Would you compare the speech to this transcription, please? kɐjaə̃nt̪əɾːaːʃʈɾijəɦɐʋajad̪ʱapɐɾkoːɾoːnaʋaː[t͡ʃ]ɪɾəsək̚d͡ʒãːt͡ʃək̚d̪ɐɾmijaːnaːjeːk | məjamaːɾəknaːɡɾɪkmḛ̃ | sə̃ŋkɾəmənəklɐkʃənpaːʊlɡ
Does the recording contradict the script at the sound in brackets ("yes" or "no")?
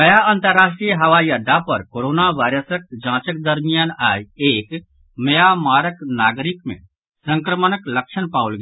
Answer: yes